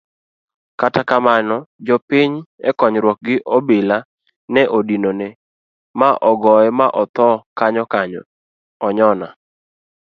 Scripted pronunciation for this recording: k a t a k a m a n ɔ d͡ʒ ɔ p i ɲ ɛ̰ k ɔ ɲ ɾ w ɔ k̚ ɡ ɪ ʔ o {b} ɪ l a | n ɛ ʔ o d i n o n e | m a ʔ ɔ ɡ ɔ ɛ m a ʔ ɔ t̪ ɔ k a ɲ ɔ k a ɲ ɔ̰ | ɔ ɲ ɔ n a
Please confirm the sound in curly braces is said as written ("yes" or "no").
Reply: yes